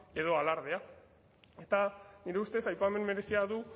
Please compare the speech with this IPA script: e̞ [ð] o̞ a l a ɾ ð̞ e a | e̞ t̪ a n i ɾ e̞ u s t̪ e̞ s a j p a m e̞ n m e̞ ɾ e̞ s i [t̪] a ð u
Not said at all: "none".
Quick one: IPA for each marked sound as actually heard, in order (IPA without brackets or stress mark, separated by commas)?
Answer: ð, none